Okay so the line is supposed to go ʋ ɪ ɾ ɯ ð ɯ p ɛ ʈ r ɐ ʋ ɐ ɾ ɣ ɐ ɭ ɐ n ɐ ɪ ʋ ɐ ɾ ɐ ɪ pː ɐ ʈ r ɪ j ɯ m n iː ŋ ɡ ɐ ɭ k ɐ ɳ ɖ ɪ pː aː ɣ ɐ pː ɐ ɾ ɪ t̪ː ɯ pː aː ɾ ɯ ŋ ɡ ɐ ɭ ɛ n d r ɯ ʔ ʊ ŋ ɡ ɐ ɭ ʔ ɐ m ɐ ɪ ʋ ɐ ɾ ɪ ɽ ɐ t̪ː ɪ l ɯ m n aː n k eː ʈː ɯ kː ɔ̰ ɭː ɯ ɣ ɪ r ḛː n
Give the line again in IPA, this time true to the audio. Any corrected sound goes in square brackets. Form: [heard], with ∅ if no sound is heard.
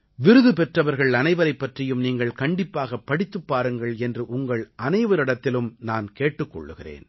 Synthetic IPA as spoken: ʋ ɪ ɾ ɯ ð ɯ p ɛ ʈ r ɐ ʋ ɐ ɾ ɣ ɐ ɭ ɐ n ɐ ɪ ʋ ɐ ɾ ɐ ɪ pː ɐ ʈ r ɪ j ɯ m n iː ŋ ɡ ɐ ɭ k ɐ ɳ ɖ ɪ pː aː ɣ ɐ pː ɐ [ɽ] ɪ t̪ː ɯ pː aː ɾ ɯ ŋ ɡ ɐ ɭ ɛ n d r ɯ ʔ ʊ ŋ ɡ ɐ ɭ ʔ ɐ [n] ɐ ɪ ʋ ɐ ɾ ɪ ɽ ɐ t̪ː ɪ l ɯ m n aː n k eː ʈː ɯ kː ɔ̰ ɭː ɯ ɣ ɪ r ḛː n